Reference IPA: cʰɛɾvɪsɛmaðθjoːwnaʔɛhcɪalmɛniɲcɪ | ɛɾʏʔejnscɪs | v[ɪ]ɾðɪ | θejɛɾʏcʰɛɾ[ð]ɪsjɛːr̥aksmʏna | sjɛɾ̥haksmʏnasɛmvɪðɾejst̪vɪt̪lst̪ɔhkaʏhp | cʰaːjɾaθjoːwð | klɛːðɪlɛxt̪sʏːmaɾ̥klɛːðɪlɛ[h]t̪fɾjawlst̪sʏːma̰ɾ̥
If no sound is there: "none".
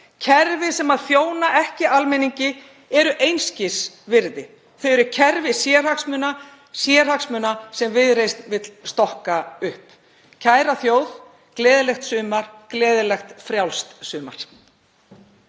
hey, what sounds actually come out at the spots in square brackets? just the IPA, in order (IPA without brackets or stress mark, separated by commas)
ɪ, v, x